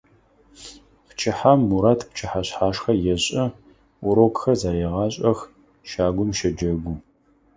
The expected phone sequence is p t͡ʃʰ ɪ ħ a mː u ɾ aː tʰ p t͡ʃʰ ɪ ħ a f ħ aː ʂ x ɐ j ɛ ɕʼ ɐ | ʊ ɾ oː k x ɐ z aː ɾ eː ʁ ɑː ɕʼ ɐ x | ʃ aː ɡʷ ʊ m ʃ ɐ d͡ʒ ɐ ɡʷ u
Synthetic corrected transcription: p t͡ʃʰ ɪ ħ a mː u ɾ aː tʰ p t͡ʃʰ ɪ ħ a ɕ ħ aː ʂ x ɐ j ɛ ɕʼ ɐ | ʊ ɾ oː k x ɐ z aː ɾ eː ʁ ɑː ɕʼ ɐ x | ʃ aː ɡʷ ʊ m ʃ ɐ d͡ʒ ɐ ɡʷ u